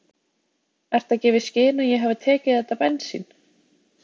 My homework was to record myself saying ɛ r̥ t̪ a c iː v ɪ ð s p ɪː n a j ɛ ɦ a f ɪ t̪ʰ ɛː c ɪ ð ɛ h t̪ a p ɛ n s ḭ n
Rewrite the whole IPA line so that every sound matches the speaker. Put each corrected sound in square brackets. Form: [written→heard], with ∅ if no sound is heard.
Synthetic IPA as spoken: ɛ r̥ t̪ a c [iː→ɛː] v ɪ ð s [p→c] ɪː n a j ɛ ɦ a [f→v] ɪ t̪ʰ ɛː c ɪ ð ɛ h t̪ a p ɛ n s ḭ n